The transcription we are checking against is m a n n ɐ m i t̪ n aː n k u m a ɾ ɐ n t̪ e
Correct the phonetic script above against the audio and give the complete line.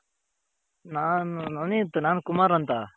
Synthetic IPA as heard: n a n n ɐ n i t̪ n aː n k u m a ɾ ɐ n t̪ a